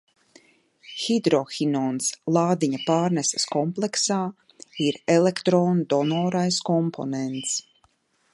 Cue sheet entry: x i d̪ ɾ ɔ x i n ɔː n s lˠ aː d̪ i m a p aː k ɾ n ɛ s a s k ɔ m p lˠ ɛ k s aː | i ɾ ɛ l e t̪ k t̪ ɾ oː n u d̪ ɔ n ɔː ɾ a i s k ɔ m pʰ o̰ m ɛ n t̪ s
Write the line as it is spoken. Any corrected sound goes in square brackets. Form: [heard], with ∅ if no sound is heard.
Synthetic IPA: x i d̪ ɾ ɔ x i n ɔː n s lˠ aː d̪ i [ɲ] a p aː [∅] ɾ n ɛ s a s k ɔ m p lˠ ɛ k s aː | i ɾ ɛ l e [∅] k t̪ ɾ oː n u d̪ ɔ n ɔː ɾ a [j] s k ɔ m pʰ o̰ [n] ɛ n t̪ s